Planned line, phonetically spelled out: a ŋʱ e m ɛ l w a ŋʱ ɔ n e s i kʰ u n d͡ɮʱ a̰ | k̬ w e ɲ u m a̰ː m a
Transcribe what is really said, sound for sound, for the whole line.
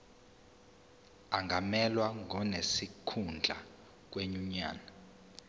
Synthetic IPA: a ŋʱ a m ɛ l w a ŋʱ ɔ n e s i kʰ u n d͡ɮʱ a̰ | k̬ w e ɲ u ɲ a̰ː n a